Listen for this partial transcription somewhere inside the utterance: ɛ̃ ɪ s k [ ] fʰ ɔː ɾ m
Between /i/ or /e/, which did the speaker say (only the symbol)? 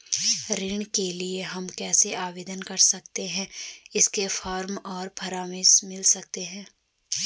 e